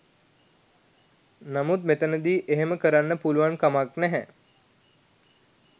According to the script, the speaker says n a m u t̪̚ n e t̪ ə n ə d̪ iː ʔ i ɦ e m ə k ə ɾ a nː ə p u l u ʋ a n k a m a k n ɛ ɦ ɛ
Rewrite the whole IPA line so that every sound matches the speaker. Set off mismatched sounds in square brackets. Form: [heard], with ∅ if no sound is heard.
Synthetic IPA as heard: n a m u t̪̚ [m] e t̪ ə n ə d̪ iː ʔ [e] ɦ e m ə k ə ɾ a nː ə p u l u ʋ a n k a m a k n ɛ ɦ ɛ